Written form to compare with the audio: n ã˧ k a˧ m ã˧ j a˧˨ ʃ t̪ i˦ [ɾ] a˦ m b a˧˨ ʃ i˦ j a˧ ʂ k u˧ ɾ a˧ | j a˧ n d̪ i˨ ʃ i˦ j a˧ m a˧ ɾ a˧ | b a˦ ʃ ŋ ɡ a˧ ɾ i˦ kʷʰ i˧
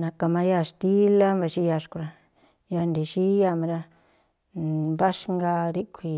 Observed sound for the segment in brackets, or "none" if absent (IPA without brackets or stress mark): l